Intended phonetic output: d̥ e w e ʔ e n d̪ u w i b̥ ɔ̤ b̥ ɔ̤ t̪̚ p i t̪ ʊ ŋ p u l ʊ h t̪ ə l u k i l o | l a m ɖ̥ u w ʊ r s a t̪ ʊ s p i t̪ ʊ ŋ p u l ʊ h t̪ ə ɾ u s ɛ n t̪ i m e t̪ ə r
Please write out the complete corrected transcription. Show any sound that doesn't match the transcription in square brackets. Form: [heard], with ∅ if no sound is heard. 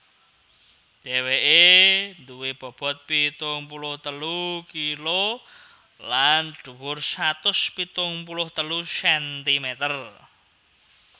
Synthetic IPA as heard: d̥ e w e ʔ e n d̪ u w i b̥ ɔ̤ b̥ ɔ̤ t̪̚ p i t̪ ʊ ŋ p u l ʊ h t̪ ə l u k i l o | l a [n] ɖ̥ u w ʊ r s a t̪ ʊ s p i t̪ ʊ ŋ p u l ʊ h t̪ ə [l] u s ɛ n t̪ i m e t̪ ə r